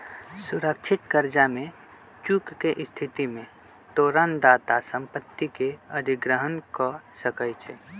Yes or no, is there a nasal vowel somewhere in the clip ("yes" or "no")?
yes